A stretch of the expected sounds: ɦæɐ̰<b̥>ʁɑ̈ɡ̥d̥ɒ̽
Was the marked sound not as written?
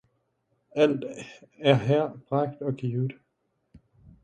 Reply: no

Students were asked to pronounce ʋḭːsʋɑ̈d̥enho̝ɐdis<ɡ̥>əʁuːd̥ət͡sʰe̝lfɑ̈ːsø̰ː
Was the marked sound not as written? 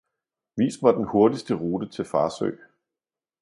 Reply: yes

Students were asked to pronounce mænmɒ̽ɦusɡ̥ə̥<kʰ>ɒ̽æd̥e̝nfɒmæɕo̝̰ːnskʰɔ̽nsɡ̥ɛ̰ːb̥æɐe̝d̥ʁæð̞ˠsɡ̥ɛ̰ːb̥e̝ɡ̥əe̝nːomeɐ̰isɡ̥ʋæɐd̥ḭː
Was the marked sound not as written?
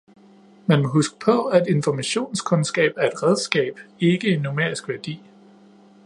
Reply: yes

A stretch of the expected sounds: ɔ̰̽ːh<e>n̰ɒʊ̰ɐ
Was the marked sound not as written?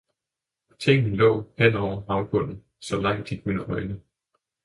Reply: no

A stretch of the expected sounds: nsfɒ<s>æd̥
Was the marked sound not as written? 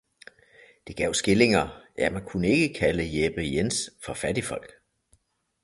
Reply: yes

